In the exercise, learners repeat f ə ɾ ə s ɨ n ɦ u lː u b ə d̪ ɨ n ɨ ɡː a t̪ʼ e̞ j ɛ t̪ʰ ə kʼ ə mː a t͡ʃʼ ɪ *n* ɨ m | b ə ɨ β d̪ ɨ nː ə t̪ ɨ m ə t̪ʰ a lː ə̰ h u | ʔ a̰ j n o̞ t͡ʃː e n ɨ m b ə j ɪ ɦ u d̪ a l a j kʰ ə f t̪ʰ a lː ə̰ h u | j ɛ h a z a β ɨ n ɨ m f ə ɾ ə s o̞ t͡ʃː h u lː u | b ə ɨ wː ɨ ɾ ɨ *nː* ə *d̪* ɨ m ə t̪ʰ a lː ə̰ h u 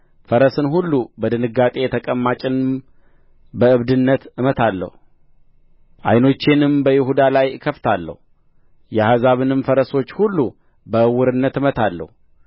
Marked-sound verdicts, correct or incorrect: correct, correct, incorrect: t̪

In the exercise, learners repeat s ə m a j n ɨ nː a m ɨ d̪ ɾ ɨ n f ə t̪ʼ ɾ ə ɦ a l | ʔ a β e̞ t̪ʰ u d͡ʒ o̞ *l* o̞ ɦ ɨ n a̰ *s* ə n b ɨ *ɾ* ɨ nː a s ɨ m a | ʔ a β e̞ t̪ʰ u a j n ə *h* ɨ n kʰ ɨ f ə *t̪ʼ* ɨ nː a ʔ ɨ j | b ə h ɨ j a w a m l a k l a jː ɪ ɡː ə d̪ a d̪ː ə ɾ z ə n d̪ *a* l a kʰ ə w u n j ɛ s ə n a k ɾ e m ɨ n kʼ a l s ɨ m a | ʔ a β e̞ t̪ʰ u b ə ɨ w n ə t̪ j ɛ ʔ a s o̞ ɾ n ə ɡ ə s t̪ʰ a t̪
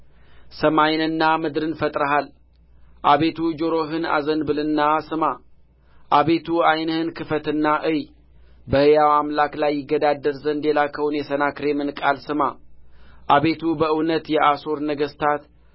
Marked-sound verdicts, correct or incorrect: incorrect: ɾ, incorrect: z, incorrect: l, correct, incorrect: t̪, incorrect: e

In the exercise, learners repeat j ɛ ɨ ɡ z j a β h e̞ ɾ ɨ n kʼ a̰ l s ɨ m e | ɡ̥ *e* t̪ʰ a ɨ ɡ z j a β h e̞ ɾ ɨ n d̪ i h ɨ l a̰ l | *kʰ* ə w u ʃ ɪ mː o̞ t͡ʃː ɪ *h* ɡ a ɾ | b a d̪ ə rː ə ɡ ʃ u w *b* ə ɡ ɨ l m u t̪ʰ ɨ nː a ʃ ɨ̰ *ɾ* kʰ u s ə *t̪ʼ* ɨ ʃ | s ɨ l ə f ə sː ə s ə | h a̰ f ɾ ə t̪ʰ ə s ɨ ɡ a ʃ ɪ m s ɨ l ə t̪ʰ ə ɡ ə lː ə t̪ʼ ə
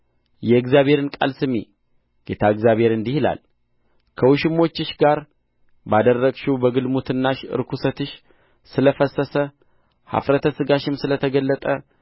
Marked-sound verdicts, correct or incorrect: correct, correct, incorrect: ʃ, correct, correct, incorrect: t̪

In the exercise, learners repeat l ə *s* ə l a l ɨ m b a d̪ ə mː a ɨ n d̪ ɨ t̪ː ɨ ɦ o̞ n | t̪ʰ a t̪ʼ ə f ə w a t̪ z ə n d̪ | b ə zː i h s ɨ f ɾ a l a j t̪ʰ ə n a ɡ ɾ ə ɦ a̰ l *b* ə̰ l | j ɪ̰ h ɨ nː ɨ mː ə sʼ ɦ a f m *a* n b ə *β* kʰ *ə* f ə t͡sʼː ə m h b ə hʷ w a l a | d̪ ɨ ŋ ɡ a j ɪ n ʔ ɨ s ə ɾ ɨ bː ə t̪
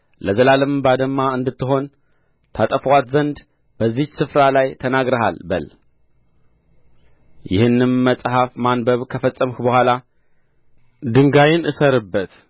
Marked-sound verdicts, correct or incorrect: incorrect: z, correct, correct, correct, correct

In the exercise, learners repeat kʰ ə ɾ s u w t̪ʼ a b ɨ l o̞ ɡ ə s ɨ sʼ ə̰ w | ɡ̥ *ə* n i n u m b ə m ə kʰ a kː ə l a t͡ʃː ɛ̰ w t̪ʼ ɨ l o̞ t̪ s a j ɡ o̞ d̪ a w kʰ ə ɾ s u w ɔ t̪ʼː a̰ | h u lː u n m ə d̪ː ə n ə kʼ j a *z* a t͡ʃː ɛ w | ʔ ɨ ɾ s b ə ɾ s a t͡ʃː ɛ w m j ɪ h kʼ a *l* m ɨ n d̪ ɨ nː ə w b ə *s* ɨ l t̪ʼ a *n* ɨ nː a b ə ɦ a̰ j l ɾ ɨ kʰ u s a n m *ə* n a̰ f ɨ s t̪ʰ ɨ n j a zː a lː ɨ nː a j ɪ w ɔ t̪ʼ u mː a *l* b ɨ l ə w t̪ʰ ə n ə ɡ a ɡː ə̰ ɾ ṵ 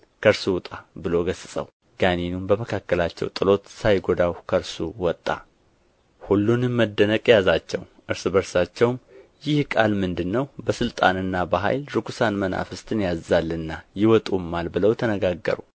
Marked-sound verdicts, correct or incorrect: incorrect: a, correct, correct, correct, correct, correct, correct

